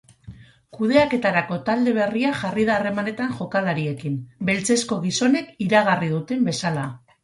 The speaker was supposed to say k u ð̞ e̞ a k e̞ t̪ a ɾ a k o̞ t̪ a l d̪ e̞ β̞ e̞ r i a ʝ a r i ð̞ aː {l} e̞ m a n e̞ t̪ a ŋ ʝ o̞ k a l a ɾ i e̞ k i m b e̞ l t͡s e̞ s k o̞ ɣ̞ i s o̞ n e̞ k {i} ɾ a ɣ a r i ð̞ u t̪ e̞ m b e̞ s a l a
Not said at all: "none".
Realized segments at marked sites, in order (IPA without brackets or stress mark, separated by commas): r, i